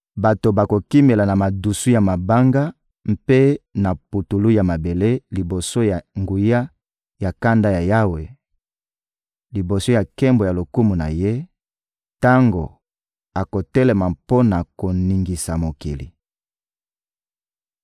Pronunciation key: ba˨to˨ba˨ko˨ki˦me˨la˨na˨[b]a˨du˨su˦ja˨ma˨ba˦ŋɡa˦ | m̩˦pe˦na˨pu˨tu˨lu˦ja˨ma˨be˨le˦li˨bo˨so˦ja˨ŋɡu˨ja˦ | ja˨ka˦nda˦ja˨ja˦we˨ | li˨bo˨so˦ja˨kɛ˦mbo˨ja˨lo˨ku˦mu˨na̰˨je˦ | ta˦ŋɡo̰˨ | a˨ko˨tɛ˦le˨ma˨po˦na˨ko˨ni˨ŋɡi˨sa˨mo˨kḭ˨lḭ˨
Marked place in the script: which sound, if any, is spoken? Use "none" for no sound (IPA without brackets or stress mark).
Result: m